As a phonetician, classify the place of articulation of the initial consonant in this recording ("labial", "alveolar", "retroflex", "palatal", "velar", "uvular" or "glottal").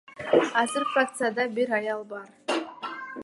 alveolar